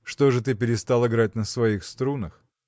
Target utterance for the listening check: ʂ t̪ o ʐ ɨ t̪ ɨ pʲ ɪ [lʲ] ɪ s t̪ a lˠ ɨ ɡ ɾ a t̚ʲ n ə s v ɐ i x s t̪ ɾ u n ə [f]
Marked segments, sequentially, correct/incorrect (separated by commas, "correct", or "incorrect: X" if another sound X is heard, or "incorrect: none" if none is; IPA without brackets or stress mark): incorrect: ɾʲ, incorrect: x